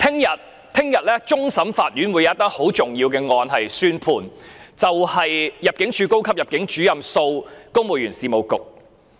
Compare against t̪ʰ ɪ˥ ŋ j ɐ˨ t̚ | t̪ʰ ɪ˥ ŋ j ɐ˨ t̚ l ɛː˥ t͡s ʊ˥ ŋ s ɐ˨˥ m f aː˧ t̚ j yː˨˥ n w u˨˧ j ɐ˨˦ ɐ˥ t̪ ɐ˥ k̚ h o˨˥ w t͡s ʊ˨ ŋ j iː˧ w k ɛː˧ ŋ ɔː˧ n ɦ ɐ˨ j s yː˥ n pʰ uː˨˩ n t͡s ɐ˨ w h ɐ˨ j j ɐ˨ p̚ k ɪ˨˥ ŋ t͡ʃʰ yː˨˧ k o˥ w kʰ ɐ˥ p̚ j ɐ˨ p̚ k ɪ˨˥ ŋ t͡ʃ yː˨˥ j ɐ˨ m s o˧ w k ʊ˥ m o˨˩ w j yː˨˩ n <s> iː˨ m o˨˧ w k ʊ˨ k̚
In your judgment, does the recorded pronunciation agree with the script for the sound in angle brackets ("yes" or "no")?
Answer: yes